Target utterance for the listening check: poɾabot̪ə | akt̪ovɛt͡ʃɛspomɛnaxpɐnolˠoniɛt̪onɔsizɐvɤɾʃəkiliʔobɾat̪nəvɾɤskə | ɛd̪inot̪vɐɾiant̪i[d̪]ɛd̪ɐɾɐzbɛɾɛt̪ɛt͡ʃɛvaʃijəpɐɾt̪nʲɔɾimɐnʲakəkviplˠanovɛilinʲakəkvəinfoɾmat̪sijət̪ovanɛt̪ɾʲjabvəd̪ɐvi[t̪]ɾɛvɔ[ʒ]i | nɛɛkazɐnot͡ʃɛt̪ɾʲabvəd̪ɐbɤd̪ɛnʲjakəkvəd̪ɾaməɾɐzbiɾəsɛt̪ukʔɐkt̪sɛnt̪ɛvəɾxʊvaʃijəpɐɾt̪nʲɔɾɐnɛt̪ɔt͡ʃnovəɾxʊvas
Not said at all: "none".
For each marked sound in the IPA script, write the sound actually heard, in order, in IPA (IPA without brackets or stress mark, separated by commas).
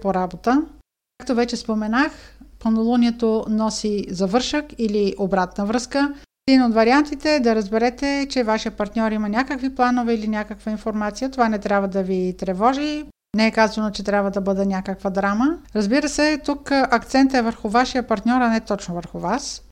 t̪, t̪, ʒ